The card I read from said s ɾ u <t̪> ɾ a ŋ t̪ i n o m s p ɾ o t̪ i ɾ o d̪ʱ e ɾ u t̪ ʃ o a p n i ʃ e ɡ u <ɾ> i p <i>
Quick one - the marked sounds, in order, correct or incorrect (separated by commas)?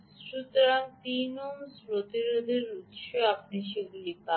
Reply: correct, incorrect, incorrect